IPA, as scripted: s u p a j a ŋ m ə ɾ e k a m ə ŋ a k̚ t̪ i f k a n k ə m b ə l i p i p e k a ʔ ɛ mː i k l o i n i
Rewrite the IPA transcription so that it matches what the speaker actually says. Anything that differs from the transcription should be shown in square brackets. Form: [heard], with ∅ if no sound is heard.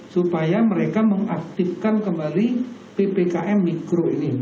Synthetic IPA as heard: s u p a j a [∅] m ə ɾ e k a m ə ŋ a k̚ t̪ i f k a n k ə m b [a] l i p [e] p e k a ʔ ɛ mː i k [ɾ] o i n i